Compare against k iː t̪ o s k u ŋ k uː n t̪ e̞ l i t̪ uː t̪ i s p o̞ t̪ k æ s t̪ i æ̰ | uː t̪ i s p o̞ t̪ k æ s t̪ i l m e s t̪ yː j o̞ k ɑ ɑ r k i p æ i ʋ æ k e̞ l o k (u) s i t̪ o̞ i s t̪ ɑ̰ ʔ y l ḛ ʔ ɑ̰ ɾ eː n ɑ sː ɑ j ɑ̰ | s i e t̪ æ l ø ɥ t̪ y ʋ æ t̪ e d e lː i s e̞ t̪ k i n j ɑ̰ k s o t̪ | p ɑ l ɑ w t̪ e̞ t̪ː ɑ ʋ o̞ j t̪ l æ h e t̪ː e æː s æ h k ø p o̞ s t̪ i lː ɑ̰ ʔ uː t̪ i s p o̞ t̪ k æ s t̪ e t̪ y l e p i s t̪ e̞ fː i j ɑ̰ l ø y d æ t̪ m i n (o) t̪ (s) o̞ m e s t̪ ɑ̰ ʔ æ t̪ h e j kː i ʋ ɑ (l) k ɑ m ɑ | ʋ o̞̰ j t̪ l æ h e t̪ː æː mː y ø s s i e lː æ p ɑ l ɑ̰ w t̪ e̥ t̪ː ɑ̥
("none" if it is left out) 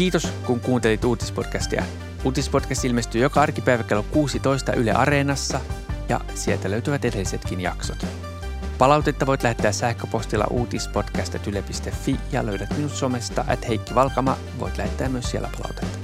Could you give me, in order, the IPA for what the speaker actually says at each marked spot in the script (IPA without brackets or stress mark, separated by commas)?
uː, u, s, l